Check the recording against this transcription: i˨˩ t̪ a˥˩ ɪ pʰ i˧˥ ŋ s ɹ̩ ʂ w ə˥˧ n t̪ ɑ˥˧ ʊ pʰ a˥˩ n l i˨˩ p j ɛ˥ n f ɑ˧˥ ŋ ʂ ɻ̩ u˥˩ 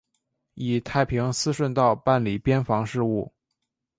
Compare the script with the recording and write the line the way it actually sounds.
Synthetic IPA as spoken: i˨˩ t̪ʰ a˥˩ ɪ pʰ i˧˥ ŋ s ɹ̩ ʂ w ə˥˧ n t̪ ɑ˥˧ ʊ p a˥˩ n l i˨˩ p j ɛ˥ n f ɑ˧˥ ŋ ʂ ɻ̩ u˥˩